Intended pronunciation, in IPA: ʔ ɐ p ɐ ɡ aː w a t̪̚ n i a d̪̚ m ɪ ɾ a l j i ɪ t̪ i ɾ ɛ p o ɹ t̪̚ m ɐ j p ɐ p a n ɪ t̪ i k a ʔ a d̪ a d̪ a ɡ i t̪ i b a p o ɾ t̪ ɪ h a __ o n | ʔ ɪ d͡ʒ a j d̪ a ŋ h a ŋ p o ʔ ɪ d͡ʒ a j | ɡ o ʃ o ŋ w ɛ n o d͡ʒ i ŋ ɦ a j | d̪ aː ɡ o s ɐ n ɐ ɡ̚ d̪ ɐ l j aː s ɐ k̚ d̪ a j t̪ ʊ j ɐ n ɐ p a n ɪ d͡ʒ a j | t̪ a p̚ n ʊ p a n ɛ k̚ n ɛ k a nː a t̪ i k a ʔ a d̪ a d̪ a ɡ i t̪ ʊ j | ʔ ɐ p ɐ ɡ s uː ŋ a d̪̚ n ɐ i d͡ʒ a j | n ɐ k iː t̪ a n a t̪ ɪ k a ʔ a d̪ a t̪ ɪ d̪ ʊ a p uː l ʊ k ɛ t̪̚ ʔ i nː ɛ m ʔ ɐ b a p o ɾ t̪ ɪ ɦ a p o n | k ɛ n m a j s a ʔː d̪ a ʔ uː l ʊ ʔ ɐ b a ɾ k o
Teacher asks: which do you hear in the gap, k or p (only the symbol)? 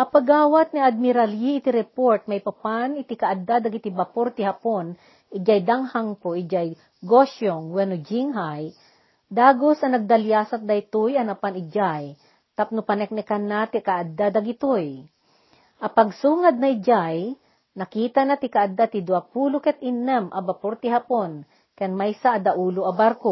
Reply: p